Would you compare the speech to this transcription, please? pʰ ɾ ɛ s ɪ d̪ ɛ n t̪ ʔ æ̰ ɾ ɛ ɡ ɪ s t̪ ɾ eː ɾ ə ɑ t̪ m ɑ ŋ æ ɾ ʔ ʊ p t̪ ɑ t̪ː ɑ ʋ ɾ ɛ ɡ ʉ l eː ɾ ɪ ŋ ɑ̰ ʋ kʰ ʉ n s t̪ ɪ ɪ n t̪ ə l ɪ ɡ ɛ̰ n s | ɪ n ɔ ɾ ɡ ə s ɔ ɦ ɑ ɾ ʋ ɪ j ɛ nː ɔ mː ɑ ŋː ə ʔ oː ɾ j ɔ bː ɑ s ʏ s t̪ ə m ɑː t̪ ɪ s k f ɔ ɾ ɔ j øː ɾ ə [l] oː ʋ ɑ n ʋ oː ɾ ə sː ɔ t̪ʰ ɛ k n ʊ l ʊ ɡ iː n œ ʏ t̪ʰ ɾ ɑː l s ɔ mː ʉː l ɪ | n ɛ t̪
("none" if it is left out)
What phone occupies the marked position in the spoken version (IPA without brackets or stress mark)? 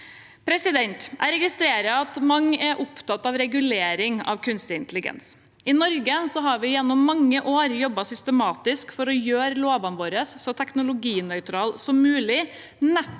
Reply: l